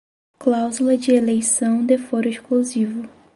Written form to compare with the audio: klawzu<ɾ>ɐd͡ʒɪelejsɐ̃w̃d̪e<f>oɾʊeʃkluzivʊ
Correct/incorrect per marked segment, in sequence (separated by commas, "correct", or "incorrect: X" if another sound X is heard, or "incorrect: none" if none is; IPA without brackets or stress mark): incorrect: l, correct